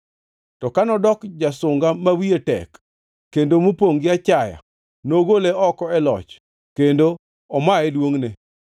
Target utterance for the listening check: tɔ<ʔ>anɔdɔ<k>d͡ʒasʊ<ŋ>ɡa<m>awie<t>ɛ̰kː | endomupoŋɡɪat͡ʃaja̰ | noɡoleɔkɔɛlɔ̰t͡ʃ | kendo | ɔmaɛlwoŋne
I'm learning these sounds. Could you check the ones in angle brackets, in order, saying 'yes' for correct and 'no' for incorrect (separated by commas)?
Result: no, yes, yes, yes, yes